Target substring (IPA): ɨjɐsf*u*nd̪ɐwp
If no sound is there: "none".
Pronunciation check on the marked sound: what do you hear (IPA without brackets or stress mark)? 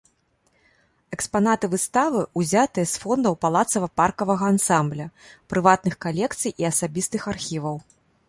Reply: ɔ